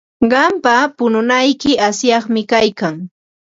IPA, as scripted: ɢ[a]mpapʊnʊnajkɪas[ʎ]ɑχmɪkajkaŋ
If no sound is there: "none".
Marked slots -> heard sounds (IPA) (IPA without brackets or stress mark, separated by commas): ɑ, j